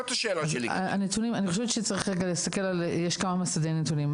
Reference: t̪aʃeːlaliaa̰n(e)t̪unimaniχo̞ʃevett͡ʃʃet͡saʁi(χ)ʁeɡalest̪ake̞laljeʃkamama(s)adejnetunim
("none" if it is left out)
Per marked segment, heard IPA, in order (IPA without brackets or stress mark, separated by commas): e, χ, s